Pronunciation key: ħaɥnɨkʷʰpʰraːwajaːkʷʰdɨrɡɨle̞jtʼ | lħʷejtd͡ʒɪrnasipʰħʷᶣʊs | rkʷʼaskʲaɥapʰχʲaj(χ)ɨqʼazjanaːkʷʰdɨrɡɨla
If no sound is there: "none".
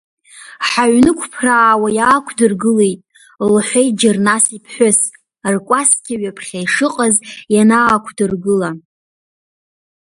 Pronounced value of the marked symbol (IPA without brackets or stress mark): ʂ